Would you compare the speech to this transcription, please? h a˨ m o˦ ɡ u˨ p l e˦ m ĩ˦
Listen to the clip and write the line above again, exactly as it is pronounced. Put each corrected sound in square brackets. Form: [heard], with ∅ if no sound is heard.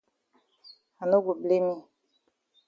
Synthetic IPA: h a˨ [n] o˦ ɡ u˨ [b] l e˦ m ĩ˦